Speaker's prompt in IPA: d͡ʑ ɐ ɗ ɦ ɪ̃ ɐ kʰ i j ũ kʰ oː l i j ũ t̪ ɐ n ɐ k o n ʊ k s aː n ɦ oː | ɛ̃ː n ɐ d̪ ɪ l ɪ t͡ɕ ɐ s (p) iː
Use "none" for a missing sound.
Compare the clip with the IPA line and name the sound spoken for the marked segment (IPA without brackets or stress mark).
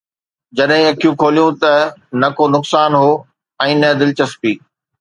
p